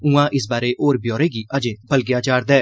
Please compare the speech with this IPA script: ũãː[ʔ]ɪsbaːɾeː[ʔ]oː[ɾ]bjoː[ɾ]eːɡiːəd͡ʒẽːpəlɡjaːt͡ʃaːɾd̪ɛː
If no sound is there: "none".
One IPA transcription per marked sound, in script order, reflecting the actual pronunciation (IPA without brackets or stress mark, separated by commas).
ʔ, ʔ, ɾ, ɾ